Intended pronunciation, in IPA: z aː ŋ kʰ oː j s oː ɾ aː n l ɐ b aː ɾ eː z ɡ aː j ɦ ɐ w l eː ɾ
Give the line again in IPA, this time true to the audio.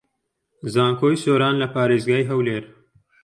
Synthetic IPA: z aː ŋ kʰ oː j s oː ɾ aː n l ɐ p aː ɾ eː z ɡ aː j ɦ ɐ w l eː ɾ

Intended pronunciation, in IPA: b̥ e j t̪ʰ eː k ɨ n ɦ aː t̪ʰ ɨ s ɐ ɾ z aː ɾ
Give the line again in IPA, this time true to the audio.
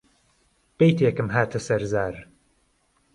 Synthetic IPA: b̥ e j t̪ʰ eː k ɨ m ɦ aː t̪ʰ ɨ s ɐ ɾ z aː ɾ

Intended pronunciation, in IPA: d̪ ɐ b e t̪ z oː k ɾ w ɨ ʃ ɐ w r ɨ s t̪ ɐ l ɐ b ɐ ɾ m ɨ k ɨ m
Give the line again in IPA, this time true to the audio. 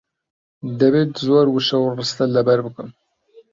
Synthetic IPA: d̪ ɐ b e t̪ z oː ɾ w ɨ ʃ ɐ w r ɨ s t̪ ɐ l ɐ b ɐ ɾ b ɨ k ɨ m

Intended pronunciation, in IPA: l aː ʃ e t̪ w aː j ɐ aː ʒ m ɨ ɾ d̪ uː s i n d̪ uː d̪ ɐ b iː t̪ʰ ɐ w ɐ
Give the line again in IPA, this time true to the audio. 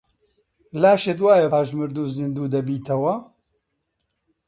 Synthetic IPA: l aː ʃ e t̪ w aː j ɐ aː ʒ m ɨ ɾ d̪ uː z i n d̪ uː d̪ ɐ b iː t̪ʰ ɐ w ɐ

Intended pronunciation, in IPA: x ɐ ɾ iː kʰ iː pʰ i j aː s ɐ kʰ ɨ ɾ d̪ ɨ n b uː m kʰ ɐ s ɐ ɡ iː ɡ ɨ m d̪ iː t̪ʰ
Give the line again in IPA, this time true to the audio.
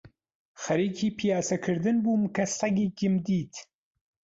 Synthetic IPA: x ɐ ɾ iː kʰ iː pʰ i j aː s ɐ kʰ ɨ ɾ d̪ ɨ n b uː m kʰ ɐ s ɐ ɡ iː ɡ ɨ m d̪ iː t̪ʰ

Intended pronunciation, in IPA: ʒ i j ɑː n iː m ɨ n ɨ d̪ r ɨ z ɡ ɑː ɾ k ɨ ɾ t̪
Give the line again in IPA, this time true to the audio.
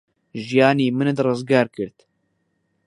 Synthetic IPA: ʒ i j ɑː n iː m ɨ n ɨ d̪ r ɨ z ɡ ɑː ɾ k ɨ ɾ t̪

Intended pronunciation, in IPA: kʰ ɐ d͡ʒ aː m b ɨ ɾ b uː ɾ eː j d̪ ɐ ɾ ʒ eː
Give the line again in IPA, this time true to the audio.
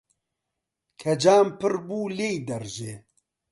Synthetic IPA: kʰ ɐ d͡ʒ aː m p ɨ ɾ b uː l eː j d̪ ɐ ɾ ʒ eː

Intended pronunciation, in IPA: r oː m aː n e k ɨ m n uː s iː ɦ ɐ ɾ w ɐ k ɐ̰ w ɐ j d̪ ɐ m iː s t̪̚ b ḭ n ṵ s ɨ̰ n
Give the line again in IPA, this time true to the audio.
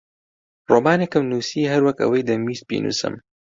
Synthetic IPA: r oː m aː n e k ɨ m n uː s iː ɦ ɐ ɾ w ɐ k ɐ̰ w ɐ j d̪ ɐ m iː s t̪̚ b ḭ n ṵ s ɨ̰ m

